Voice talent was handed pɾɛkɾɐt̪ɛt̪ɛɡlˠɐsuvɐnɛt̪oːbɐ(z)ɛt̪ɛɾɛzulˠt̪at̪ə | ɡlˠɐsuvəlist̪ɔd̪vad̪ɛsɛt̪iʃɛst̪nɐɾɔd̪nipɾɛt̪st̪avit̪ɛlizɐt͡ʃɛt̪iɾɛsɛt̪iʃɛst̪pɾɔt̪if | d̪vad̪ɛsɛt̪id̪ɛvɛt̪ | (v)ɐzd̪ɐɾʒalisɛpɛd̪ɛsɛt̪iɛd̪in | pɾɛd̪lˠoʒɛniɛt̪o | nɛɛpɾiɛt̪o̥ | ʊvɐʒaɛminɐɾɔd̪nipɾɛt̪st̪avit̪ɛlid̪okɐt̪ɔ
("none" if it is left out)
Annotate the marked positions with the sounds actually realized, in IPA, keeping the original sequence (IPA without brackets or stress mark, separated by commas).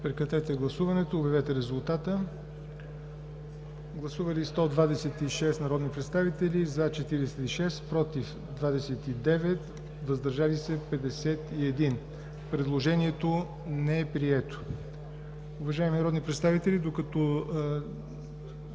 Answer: v, v